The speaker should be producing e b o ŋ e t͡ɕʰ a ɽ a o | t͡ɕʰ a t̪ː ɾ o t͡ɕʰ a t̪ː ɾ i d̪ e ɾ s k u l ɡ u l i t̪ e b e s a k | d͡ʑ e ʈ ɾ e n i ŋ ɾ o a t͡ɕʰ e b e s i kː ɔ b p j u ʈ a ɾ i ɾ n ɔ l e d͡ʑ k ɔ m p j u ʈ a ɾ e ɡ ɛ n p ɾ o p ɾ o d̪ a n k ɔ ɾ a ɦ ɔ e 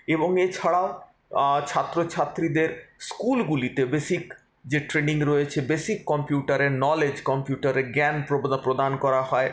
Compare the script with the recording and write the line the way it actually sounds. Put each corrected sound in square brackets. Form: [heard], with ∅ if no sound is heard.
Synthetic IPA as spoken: e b o ŋ e t͡ɕʰ a ɽ a o | t͡ɕʰ a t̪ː ɾ o t͡ɕʰ a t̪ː ɾ i d̪ e ɾ s k u l ɡ u l i t̪ e b e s [i] k | d͡ʑ e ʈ ɾ e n i ŋ ɾ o [e] t͡ɕʰ e b e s i kː ɔ [m] p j u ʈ a ɾ [e] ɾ n ɔ l e d͡ʑ k ɔ m p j u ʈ a ɾ e ɡ ɛ n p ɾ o p ɾ o d̪ a n k ɔ ɾ a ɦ ɔ e